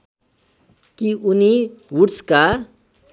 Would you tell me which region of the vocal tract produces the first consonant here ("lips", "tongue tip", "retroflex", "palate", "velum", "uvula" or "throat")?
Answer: velum